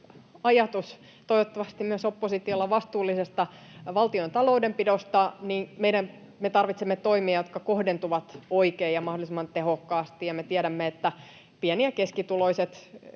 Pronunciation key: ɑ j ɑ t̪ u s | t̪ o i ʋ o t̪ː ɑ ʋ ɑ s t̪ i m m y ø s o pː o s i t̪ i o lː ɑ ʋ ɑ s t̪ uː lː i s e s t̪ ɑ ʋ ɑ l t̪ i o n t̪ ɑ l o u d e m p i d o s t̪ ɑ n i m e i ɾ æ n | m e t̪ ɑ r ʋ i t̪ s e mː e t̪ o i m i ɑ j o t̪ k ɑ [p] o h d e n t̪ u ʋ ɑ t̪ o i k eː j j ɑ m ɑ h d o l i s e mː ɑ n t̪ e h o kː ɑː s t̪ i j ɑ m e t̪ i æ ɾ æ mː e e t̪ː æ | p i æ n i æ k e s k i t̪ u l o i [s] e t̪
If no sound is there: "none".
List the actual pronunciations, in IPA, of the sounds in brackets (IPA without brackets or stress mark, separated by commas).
k, s